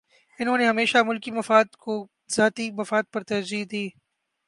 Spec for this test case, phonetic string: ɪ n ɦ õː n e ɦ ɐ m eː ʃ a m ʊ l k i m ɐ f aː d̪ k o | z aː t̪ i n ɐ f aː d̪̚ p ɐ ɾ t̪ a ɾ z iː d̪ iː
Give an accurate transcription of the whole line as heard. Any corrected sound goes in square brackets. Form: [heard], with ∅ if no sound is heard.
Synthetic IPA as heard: ɪ n ɦ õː n e ɦ ɐ m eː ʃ a m ʊ l k i m ɐ f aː d̪ k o | z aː t̪ i [m] ɐ f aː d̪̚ p ɐ ɾ t̪ [ɐ] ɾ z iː d̪ iː

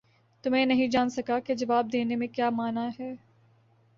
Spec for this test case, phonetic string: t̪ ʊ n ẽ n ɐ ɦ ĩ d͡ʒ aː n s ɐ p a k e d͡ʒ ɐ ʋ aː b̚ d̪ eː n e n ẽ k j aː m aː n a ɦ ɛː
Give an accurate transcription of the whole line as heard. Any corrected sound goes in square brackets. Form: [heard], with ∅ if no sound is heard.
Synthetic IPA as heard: t̪ ʊ [m] ẽ n ɐ ɦ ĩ d͡ʒ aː n s ɐ [k] a k e d͡ʒ ɐ ʋ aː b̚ d̪ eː n e [m] ẽ k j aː m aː n a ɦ ɛː

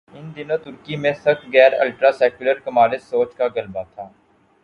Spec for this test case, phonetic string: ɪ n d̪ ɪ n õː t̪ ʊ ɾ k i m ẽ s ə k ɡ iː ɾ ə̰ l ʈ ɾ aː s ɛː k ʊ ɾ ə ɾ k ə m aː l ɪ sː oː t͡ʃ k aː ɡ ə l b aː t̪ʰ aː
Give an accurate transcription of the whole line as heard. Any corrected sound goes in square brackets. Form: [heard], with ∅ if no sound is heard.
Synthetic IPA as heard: ɪ n d̪ ɪ n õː t̪ ʊ ɾ k i m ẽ s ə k ɡ [ɛː] ɾ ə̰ l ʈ ɾ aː s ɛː k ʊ [l] ə ɾ k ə m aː l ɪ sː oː t͡ʃ k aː ɡ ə l b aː t̪ʰ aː

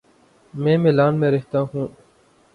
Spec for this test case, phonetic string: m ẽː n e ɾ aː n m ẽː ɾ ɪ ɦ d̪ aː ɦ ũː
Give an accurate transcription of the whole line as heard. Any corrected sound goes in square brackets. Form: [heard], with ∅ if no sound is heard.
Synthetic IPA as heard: m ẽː [m] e [l] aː n m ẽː ɾ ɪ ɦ [t̪] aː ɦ ũː

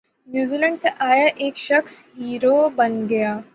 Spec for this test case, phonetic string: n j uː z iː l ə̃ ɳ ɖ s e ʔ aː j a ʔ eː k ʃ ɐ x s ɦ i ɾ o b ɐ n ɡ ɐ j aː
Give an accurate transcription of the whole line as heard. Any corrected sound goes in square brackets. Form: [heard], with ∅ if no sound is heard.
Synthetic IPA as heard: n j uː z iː l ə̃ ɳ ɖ s e ʔ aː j a ʔ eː k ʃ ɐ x s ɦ [iː] ɾ o b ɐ n ɡ ɐ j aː

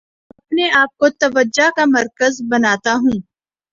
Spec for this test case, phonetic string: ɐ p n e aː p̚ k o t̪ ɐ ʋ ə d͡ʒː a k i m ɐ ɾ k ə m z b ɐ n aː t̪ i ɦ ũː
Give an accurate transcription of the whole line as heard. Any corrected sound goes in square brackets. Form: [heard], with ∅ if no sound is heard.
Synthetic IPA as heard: ɐ p n e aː p̚ k o t̪ ɐ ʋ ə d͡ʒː a k [a] m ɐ ɾ k ə [∅] z b ɐ n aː t̪ [a] ɦ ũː

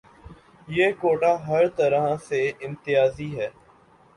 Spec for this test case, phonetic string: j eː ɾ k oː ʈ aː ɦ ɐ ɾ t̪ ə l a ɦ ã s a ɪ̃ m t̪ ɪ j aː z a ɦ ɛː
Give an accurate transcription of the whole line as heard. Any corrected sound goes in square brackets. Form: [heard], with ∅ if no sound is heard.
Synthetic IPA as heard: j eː [∅] k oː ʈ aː ɦ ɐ ɾ t̪ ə [ɾ] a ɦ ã s [e] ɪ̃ m t̪ ɪ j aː z [i] ɦ ɛː

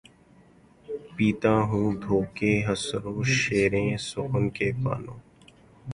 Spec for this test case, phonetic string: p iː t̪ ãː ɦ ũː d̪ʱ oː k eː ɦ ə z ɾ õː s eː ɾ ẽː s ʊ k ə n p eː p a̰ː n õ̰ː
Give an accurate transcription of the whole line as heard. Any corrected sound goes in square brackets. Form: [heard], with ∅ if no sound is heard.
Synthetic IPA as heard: p iː t̪ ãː ɦ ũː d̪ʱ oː k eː ɦ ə [s] ɾ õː [ʃ] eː ɾ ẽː s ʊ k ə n [k] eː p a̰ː n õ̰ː

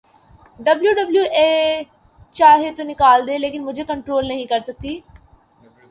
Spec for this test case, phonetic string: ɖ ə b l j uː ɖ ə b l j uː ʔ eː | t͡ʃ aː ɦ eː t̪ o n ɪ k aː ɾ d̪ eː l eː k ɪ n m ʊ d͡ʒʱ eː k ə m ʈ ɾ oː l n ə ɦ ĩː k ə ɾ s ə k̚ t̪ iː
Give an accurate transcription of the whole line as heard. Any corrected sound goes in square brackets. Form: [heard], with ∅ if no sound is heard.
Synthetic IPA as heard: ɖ ə b l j uː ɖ ə b l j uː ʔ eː | t͡ʃ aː ɦ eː t̪ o n ɪ k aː [l] d̪ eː l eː k ɪ n m ʊ d͡ʒʱ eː k ə [ɳ] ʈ ɾ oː l n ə ɦ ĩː k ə ɾ s ə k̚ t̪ iː

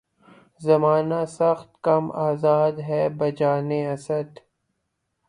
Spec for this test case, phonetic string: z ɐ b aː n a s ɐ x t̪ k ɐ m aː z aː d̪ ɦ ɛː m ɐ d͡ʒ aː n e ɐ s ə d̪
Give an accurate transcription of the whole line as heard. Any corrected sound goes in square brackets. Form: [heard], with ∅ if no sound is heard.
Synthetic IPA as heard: z ɐ [m] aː n a s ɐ x t̪ k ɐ m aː z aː d̪ ɦ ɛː [b] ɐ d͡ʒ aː n e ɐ s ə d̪

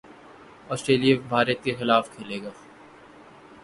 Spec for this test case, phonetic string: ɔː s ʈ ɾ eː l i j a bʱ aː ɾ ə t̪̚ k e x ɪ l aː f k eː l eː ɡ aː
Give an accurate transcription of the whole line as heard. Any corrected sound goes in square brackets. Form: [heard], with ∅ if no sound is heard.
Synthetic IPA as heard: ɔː s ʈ ɾ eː l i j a bʱ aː ɾ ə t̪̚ k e x ɪ l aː f [kʰ] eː l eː ɡ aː

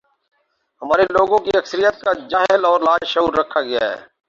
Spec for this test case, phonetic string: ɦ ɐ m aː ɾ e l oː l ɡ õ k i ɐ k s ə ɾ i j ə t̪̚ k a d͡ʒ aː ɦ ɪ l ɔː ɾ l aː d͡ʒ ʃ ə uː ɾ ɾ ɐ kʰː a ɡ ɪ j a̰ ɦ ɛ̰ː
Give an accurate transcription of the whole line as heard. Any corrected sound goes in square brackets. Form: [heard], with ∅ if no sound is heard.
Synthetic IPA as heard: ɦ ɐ m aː ɾ e l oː [∅] ɡ õ k i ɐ k s ə ɾ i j ə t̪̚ k a d͡ʒ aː ɦ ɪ l ɔː ɾ l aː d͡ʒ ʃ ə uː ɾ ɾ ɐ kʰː a ɡ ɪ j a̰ ɦ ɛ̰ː

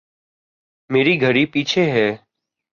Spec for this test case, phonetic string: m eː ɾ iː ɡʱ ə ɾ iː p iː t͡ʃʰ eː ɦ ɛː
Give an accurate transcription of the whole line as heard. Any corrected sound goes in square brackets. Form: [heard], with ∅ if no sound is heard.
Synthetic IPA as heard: m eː ɾ iː ɡʱ ə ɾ iː p iː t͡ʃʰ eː ɦ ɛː

